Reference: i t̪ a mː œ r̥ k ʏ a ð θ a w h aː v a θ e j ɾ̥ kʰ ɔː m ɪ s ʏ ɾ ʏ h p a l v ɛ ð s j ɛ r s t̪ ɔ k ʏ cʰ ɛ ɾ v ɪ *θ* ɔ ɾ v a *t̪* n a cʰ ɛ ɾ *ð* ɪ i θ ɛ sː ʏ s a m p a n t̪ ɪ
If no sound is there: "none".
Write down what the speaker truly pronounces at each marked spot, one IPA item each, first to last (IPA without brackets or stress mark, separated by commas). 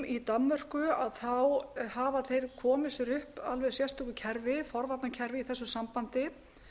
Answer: f, t̪, v